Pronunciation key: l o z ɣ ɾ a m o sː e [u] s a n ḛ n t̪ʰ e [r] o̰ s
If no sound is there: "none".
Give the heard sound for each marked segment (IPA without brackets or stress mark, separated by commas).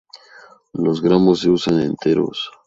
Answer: u, ɾ